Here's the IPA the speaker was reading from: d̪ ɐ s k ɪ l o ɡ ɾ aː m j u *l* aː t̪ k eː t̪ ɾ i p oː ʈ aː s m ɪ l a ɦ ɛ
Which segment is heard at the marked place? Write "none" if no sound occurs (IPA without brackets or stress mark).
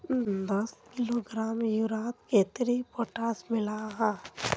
ɾ